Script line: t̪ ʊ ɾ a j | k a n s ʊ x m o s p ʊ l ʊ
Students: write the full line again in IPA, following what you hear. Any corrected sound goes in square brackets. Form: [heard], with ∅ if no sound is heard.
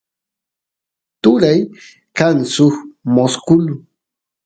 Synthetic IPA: t̪ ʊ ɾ a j | k a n s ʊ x m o s [k] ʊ l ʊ